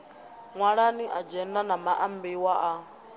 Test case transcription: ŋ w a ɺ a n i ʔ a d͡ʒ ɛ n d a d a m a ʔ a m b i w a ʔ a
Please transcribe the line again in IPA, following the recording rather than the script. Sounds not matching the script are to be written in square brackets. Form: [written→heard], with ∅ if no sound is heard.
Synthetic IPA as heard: ŋ w a ɺ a n i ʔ a d͡ʒ ɛ n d a [d→n] a m a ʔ a m b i w a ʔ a

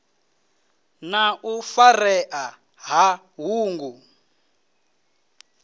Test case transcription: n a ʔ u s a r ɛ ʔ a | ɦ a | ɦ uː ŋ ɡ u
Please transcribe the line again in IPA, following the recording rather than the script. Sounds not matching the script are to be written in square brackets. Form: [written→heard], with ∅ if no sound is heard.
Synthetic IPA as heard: n a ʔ u [s→f] a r ɛ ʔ a | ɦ a | ɦ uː ŋ ɡ u

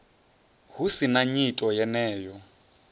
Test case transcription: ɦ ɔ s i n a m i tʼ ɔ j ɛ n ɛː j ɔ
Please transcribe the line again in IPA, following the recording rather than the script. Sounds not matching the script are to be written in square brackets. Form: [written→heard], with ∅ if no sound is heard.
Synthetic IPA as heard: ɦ [ɔ→u] s i n a [m→ɲ] i tʼ ɔ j ɛ n ɛː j ɔ

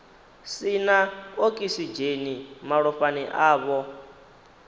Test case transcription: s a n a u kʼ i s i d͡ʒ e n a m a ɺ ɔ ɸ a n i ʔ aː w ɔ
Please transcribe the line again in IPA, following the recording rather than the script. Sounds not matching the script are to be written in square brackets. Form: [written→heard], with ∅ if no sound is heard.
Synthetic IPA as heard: s [a→i] n a [u→o] kʼ i s i d͡ʒ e n [a→i] m a ɺ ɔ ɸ a n i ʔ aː [w→β] ɔ

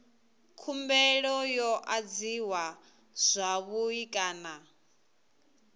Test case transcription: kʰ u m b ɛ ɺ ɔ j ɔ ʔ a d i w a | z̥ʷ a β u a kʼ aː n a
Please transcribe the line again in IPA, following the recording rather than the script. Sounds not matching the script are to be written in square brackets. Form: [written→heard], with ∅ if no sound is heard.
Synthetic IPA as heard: kʰ u m b ɛ ɺ ɔ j ɔ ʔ a [d→d͡z] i w a | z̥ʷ a β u [a→i] kʼ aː n a

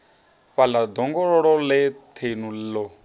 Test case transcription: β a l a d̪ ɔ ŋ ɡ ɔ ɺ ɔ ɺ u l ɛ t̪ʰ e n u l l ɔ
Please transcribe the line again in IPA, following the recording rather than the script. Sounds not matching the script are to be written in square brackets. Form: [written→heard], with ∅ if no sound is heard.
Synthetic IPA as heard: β a l a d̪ ɔ ŋ ɡ ɔ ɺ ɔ ɺ [u→ɔ] l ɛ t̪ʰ e n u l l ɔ

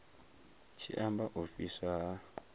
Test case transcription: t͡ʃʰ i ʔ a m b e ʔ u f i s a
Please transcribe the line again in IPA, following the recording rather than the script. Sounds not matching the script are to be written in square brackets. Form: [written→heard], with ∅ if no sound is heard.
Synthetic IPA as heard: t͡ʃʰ i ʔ a m b [e→a] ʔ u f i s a

